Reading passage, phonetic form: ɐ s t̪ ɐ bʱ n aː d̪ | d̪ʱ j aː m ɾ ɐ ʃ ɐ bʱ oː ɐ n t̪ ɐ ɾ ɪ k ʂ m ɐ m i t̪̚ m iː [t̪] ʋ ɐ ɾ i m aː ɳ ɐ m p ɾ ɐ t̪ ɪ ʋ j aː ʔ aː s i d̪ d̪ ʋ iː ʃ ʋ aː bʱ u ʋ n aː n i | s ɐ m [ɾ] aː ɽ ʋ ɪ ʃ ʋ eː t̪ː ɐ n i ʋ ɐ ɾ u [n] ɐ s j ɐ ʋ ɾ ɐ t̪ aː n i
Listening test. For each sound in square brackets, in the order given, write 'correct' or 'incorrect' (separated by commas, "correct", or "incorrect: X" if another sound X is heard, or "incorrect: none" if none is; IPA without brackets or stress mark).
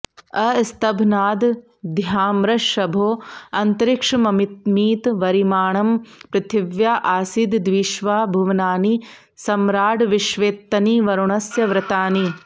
correct, correct, incorrect: ɳ